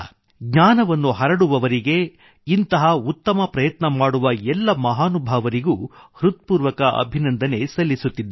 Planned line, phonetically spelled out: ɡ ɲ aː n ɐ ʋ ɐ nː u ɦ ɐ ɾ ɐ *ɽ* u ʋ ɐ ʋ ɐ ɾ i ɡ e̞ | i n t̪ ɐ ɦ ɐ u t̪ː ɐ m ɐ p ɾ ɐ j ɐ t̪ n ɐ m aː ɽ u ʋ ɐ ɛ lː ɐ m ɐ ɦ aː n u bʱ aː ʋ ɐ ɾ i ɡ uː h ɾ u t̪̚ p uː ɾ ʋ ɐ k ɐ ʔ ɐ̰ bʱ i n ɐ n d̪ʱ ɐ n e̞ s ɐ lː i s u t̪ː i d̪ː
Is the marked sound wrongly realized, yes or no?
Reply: no